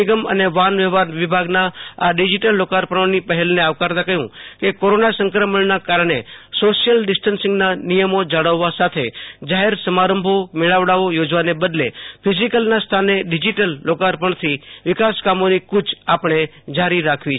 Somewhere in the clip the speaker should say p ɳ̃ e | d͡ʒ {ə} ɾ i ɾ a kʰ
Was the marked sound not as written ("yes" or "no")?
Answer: yes